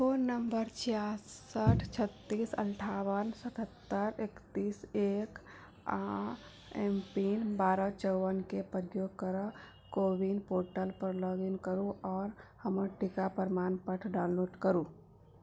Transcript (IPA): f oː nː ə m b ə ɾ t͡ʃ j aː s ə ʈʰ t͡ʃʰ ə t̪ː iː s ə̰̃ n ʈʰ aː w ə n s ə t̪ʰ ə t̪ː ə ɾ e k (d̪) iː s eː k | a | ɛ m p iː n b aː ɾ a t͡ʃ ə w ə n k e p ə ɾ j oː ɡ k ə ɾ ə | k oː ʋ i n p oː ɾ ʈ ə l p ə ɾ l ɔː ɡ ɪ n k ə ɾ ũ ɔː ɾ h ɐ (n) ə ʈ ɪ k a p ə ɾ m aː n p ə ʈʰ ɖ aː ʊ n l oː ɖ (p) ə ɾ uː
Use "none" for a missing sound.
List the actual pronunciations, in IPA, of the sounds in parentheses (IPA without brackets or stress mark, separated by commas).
t̪, m, k